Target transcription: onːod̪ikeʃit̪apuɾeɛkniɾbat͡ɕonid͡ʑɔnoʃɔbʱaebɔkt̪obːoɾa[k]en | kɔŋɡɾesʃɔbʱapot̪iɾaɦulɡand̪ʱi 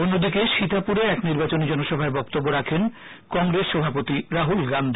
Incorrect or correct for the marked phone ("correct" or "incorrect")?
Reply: incorrect